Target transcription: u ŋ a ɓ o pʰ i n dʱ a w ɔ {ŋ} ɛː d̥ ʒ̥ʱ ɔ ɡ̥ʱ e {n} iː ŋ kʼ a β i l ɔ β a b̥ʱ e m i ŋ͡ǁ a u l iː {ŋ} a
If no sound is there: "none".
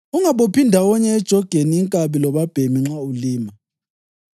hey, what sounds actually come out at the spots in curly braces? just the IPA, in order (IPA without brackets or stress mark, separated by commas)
ɲ, n, m